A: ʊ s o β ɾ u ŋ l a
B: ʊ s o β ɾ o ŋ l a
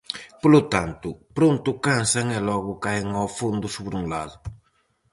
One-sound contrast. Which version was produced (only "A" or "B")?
A